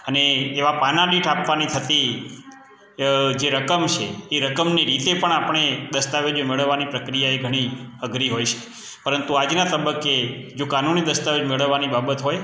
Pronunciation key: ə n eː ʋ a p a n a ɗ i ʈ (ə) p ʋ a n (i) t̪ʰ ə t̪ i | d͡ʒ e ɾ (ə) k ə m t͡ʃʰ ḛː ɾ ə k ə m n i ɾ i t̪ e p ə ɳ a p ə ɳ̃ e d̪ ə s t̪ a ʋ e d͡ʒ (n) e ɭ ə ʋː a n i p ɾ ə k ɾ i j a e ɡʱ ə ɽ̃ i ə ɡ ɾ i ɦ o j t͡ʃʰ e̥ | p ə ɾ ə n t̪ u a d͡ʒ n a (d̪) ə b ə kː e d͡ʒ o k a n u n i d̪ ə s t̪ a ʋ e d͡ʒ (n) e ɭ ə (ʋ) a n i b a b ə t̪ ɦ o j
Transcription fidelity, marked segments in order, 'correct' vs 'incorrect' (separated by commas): incorrect, correct, correct, incorrect, incorrect, incorrect, incorrect